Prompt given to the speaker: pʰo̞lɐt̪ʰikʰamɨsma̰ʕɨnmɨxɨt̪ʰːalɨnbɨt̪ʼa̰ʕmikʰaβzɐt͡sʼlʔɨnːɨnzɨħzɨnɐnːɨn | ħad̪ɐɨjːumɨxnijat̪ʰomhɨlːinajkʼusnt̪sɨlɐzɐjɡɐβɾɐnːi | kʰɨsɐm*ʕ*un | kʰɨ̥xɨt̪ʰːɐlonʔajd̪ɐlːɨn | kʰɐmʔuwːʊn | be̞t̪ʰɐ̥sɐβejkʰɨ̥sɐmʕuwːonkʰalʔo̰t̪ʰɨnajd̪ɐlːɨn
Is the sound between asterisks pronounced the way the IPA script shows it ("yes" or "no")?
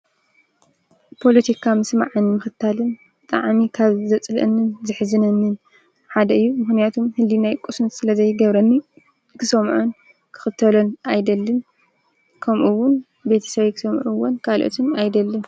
yes